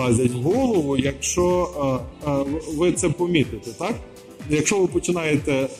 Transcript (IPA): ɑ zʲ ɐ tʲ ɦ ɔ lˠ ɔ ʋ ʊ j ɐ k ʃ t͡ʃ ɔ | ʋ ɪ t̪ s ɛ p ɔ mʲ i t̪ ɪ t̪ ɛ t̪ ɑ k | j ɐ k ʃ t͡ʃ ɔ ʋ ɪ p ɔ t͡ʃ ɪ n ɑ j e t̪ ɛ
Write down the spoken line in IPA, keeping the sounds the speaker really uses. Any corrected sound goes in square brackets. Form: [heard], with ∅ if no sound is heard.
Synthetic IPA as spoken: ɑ zʲ ɐ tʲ ɦ ɔ lˠ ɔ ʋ ʊ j ɐ k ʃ t͡ʃ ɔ | ʋ ɪ t̪ s ɛ p ɔ mʲ i t̪ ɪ t̪ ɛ t̪ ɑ k | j ɐ k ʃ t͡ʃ ɔ ʋ ɪ p ɔ t͡ʃ ɪ n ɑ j e t̪ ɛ